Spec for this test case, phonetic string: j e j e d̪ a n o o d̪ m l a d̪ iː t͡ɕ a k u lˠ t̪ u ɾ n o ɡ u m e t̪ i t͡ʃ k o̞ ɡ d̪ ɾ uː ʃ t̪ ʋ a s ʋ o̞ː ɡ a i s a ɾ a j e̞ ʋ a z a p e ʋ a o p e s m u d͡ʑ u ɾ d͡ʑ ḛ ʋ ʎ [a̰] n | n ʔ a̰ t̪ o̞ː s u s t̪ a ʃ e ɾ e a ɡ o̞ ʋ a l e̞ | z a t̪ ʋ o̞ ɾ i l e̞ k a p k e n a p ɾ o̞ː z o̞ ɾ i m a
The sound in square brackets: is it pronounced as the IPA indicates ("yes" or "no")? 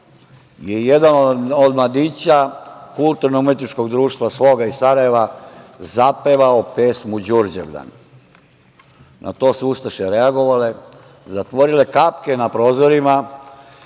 yes